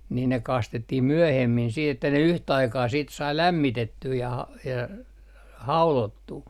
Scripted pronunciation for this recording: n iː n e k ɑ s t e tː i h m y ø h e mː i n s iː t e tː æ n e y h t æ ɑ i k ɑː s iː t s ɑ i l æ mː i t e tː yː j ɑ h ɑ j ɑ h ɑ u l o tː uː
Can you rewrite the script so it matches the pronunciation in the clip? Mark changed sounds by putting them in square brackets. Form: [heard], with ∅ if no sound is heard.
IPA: n iː n e k ɑ s t e tː i h m y ø h e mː i n s iː t e tː æ n e y h t æ ɑ i k ɑː s iː t s ɑ i l æ mː i t e tː yː j ɑ h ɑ j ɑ h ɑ u l o tː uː